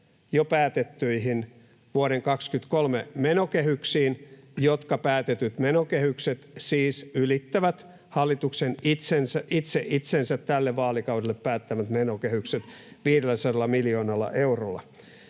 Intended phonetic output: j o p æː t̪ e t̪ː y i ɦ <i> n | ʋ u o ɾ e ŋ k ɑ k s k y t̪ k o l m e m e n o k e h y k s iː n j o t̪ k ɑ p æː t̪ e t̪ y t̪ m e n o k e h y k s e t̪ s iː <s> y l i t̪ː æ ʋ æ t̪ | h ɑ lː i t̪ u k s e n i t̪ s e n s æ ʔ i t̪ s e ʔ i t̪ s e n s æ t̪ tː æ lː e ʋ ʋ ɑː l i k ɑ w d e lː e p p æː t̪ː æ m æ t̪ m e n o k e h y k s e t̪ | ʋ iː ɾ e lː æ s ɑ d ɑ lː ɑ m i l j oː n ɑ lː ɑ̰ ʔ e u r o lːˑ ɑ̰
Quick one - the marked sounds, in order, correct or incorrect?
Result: correct, correct

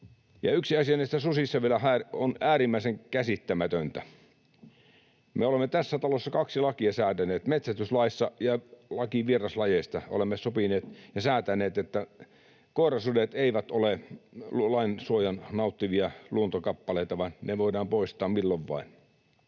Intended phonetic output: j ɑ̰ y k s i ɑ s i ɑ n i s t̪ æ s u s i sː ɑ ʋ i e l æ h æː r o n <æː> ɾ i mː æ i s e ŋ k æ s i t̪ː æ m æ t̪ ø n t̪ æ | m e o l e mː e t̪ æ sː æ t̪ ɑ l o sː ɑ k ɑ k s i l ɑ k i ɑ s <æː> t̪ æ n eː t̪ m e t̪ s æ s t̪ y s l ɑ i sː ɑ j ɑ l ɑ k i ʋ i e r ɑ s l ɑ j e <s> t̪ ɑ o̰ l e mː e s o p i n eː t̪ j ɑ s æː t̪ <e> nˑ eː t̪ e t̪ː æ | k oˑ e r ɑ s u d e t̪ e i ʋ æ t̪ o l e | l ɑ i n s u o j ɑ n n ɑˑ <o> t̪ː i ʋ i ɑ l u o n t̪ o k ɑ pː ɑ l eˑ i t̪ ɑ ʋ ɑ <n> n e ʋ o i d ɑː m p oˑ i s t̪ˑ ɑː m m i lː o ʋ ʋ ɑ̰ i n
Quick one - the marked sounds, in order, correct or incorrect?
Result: correct, correct, correct, incorrect: æ, incorrect: u, correct

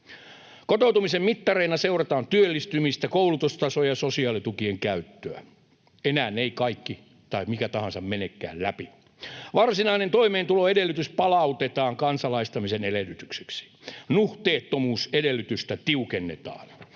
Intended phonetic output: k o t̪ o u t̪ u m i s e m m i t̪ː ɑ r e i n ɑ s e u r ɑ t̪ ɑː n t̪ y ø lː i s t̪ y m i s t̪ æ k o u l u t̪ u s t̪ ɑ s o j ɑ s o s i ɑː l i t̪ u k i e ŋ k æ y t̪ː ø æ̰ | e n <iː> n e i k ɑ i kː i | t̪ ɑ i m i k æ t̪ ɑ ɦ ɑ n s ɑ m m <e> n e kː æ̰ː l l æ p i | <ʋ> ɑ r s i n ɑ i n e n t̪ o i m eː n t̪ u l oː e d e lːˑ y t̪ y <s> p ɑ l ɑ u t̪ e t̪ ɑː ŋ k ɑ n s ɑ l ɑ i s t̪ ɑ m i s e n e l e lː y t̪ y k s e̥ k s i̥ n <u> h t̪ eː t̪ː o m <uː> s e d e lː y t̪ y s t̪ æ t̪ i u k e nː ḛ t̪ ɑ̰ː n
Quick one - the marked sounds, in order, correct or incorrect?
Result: incorrect: æː, correct, correct, correct, correct, correct

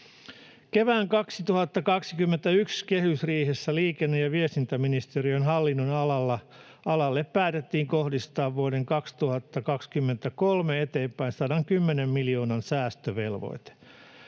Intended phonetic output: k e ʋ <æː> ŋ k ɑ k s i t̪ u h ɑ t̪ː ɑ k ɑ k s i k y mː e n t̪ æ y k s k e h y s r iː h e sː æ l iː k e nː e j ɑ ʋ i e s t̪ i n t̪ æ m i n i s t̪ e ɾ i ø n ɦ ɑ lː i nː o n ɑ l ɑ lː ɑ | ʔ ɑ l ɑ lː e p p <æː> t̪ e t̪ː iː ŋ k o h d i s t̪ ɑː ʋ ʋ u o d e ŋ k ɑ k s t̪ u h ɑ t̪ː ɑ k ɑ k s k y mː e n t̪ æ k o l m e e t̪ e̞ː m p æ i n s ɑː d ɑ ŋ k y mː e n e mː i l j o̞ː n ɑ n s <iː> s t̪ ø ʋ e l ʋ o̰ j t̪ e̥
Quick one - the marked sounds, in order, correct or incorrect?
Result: correct, correct, incorrect: æː

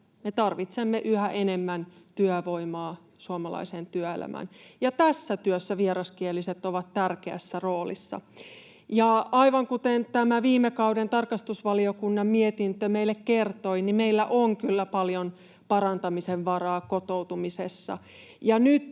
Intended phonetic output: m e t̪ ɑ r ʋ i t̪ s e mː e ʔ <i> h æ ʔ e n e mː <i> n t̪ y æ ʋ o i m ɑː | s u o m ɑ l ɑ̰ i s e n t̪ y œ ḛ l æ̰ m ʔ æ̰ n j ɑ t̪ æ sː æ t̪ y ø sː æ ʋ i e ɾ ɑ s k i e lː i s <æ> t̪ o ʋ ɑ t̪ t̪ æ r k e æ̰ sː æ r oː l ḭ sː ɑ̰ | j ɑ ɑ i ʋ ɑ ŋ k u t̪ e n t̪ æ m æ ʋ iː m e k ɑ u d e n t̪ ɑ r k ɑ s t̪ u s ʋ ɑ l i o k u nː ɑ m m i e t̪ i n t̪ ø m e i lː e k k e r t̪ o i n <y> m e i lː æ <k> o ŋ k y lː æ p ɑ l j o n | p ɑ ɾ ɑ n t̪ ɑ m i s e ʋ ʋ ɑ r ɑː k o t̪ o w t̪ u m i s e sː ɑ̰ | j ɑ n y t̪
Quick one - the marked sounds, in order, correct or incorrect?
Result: incorrect: y, incorrect: æ, incorrect: e, incorrect: i, incorrect: ʔ

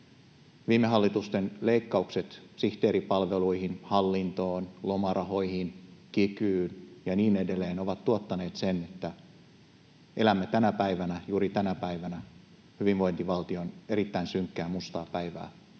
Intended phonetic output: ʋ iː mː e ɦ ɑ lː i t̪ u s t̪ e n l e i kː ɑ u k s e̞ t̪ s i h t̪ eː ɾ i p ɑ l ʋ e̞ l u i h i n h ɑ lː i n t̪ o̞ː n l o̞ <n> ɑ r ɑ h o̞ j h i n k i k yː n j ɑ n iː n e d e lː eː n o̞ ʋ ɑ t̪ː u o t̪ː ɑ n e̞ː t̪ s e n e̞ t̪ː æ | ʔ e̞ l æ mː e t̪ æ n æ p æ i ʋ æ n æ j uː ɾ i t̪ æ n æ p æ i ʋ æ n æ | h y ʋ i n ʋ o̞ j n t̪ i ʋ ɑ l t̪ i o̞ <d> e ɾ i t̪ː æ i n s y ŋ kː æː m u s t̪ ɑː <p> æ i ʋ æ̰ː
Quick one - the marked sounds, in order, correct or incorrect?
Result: incorrect: m, incorrect: n, correct

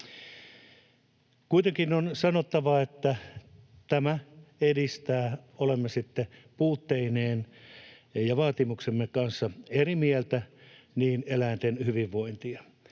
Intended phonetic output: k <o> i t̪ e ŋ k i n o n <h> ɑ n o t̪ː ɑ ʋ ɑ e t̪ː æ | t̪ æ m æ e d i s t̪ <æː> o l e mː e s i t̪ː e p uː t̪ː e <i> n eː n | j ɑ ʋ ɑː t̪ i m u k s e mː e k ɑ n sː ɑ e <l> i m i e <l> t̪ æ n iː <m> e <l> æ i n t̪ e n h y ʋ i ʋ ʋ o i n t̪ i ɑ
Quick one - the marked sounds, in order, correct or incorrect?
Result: incorrect: u, incorrect: s, correct, correct, incorrect: r, correct, incorrect: n, correct

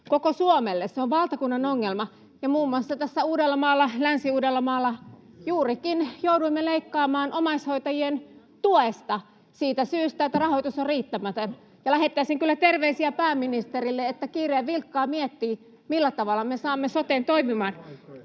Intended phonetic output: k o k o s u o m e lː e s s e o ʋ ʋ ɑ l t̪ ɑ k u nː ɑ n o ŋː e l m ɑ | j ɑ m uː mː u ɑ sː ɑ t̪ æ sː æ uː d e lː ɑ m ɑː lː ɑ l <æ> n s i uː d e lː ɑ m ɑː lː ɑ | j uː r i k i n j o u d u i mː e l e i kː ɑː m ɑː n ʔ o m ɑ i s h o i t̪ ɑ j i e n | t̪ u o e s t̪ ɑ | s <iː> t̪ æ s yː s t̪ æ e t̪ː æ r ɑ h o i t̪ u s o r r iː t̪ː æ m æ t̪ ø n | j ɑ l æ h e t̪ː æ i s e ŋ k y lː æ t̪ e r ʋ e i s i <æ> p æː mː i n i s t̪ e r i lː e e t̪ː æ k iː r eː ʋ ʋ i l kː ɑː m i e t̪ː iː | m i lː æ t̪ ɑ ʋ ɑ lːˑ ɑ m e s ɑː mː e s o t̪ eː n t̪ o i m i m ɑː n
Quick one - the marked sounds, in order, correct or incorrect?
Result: correct, correct, correct

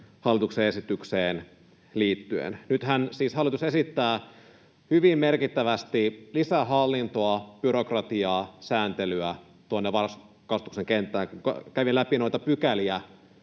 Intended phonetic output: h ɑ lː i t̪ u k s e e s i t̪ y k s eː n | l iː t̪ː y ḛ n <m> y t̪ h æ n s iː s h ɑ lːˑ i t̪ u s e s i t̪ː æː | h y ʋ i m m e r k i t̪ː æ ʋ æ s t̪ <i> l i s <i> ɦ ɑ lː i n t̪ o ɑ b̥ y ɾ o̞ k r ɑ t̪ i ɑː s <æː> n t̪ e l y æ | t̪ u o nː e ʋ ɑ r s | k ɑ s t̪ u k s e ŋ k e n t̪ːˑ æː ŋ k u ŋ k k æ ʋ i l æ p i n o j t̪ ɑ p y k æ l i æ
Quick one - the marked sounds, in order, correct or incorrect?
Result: incorrect: n, correct, incorrect: æ, correct

